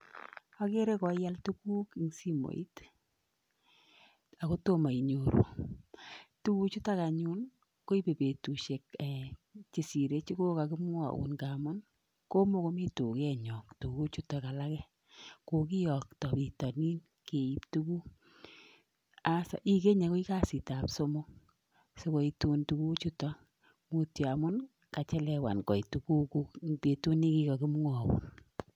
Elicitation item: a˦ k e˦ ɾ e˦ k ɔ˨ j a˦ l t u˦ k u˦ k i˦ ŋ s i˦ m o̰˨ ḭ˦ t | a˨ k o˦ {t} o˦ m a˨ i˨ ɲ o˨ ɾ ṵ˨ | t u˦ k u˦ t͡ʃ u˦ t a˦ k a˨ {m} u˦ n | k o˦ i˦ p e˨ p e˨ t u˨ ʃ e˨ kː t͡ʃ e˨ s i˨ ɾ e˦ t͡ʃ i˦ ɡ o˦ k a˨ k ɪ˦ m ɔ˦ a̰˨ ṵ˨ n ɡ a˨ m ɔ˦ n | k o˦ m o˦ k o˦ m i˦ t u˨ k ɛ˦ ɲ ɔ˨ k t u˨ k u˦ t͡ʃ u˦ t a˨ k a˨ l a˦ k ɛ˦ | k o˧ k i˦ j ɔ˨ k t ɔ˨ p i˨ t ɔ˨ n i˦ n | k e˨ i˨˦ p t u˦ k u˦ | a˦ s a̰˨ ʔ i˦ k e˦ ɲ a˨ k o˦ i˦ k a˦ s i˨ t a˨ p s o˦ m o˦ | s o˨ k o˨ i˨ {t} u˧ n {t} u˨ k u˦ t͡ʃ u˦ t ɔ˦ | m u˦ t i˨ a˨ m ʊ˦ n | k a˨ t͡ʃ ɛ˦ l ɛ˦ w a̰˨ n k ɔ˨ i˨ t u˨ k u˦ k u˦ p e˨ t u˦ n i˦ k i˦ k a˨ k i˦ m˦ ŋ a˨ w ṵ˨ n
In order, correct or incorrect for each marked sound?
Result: correct, incorrect, correct, correct

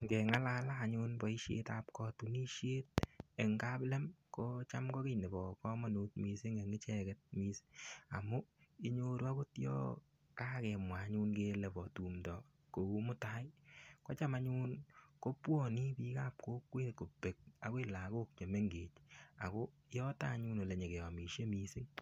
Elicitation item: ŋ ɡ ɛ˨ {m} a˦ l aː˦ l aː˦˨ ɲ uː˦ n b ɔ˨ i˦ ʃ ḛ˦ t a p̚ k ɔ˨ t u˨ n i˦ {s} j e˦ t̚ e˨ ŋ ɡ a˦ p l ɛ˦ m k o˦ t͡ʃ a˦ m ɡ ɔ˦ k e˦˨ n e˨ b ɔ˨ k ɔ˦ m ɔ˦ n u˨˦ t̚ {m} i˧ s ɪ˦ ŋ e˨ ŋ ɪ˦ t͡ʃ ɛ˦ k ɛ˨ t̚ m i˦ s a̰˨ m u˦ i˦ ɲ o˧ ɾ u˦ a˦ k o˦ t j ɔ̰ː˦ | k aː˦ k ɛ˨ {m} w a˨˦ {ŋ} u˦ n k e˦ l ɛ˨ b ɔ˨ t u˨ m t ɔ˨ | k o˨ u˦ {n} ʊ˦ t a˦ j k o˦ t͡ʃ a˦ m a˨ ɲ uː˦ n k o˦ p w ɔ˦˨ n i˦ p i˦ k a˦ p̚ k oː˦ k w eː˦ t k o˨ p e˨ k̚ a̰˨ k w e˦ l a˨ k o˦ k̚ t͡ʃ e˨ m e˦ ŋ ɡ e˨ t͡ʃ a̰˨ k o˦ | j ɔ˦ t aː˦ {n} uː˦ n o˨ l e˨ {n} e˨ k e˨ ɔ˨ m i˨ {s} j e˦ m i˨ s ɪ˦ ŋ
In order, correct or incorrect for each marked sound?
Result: incorrect, incorrect, correct, correct, incorrect, incorrect, incorrect, incorrect, incorrect

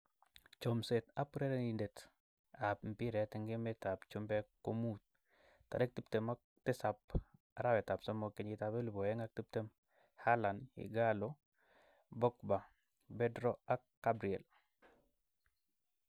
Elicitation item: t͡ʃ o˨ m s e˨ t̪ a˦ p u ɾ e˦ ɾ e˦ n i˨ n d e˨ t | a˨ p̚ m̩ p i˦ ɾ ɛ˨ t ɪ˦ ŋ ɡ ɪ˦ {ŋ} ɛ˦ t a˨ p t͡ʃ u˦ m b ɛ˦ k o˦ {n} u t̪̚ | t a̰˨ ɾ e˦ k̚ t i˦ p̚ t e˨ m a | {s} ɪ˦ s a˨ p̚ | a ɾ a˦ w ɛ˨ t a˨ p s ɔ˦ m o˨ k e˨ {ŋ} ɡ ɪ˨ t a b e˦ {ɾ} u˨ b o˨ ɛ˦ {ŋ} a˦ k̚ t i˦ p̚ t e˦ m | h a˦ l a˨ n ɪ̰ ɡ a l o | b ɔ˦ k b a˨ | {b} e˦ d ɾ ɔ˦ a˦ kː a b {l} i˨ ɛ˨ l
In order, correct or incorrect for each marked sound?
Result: incorrect, incorrect, incorrect, incorrect, incorrect, correct, correct, incorrect

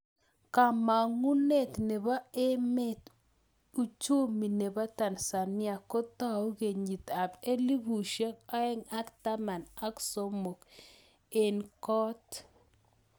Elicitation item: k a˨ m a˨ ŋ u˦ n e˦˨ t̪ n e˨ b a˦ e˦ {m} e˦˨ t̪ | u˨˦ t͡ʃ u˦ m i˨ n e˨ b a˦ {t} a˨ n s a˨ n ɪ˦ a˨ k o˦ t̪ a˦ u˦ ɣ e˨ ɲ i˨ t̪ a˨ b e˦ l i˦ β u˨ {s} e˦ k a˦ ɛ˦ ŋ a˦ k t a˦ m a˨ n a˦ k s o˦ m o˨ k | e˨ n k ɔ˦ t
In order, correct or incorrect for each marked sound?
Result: correct, correct, incorrect

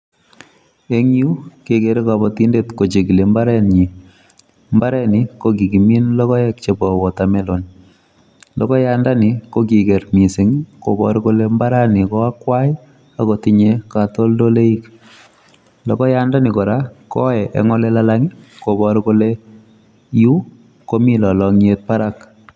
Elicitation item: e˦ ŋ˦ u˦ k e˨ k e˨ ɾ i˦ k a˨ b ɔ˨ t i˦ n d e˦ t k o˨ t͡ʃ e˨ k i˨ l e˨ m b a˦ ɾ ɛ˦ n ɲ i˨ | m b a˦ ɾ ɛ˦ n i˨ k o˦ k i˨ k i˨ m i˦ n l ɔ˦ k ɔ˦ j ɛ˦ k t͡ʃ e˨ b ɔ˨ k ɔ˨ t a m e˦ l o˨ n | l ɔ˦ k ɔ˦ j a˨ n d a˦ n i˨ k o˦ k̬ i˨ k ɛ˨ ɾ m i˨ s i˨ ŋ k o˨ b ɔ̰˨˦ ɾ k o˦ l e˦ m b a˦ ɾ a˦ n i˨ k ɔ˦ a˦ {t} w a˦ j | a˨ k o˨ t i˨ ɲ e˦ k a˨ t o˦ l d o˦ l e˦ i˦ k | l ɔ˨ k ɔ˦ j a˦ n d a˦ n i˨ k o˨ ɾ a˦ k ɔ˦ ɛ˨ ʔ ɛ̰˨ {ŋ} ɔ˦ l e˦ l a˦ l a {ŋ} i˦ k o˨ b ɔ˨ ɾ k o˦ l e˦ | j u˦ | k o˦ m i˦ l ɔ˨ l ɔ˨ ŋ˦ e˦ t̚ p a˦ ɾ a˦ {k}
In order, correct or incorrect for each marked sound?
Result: incorrect, correct, correct, correct

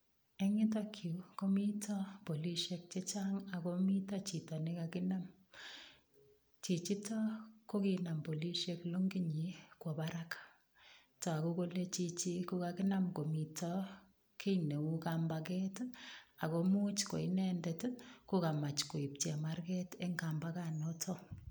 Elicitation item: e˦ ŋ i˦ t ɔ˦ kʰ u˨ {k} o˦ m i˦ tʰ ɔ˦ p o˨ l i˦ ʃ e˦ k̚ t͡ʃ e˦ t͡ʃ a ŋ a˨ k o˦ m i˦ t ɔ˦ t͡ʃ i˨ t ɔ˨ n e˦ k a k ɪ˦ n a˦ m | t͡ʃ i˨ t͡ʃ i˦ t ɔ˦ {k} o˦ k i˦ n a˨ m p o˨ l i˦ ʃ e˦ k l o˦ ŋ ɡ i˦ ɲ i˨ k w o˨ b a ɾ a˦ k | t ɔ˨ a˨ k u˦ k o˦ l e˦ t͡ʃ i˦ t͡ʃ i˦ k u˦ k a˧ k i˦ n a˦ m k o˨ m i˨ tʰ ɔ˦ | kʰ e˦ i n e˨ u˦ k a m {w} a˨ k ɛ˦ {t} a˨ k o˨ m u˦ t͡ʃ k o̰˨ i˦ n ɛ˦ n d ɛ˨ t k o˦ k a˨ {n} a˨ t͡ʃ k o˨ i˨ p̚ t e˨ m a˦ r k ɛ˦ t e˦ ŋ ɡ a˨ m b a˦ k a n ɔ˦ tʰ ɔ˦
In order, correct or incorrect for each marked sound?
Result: correct, correct, incorrect, correct, incorrect

